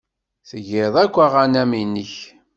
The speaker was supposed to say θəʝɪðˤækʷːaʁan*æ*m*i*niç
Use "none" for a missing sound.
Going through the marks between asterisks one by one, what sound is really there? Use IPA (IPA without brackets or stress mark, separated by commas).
æ, i